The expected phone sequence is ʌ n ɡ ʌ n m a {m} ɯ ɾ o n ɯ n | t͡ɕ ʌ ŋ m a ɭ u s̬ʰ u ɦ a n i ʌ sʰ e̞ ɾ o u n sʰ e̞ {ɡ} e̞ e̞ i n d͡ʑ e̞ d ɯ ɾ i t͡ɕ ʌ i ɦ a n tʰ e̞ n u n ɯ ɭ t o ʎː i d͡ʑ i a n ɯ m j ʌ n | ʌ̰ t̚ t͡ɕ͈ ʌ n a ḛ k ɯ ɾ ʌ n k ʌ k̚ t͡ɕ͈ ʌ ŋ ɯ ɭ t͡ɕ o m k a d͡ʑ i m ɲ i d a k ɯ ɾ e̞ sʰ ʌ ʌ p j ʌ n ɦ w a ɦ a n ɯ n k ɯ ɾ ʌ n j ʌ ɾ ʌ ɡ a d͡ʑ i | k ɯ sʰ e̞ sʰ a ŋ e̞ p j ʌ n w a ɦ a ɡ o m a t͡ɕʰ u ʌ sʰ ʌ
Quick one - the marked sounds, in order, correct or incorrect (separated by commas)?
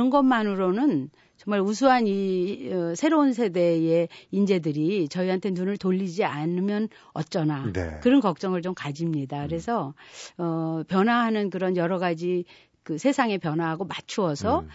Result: incorrect, incorrect